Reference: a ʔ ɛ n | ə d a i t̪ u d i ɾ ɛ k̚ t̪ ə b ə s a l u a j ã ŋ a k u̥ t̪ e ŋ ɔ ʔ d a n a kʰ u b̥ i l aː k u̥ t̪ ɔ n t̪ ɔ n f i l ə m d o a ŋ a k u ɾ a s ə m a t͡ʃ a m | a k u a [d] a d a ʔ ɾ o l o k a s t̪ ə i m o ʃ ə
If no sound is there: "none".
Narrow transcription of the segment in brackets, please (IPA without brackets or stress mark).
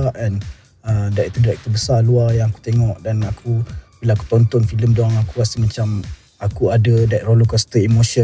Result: d